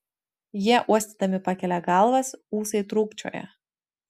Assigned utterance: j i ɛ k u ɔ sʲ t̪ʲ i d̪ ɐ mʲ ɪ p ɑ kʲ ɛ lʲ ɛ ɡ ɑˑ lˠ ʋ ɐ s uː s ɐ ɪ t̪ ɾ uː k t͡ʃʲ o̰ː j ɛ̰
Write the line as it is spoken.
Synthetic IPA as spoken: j i ɛ ʔ u ɔ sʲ t̪ʲ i d̪ ɐ mʲ ɪ p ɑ kʲ ɛ lʲ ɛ ɡ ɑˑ lˠ ʋ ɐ s uː s ɐ ɪ t̪ ɾ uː k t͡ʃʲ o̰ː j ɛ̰